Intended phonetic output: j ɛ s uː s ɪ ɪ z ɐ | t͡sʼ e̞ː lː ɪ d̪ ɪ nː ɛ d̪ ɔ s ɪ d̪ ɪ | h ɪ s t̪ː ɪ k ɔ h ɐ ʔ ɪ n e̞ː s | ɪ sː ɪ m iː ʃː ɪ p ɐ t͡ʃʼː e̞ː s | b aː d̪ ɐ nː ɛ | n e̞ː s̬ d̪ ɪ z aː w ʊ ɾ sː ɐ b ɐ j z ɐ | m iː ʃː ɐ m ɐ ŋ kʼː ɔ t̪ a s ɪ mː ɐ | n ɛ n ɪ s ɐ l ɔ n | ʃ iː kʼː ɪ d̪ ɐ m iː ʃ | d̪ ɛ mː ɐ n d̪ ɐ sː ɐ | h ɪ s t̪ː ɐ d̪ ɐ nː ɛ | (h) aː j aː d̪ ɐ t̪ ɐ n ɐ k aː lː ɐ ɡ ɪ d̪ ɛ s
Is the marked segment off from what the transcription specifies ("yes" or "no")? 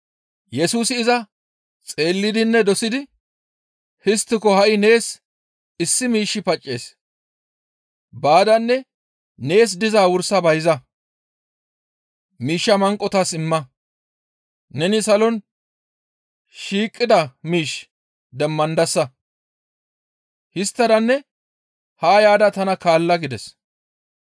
no